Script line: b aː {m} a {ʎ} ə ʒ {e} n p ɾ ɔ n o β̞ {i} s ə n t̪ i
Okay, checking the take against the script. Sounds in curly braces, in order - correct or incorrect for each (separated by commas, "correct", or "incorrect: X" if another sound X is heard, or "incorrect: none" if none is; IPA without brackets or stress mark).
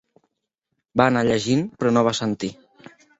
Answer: incorrect: n, correct, incorrect: i, incorrect: a